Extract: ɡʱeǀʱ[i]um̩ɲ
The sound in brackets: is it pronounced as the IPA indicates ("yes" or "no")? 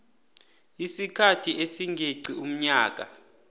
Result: yes